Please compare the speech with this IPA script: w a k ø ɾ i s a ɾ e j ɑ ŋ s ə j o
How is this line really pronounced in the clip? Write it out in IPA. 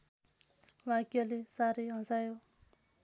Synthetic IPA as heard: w a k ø l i s a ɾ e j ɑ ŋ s a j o